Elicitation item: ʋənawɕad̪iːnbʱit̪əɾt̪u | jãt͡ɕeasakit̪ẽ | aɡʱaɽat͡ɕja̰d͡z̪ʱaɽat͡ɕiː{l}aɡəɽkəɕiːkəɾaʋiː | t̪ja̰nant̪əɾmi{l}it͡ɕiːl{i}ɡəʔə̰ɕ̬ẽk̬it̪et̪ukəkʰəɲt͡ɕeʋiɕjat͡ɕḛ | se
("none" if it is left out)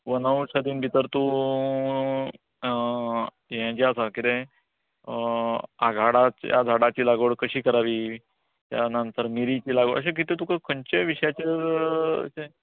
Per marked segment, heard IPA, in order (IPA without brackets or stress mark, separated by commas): l, ɾ, a